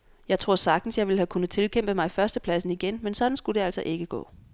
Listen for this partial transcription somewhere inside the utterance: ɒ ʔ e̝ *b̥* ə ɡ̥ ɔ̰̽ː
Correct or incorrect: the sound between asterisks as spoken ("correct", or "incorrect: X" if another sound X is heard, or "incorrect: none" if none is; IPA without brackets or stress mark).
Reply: incorrect: ɡ̥